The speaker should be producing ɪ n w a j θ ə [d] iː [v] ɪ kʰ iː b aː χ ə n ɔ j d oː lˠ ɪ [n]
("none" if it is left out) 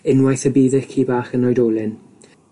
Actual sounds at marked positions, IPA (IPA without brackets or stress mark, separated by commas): b, ð, n